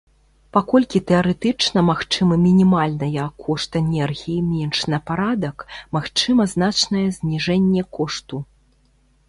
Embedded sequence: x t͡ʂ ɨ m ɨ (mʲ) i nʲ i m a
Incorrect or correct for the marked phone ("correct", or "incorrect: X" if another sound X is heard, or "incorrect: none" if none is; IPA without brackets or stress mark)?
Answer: correct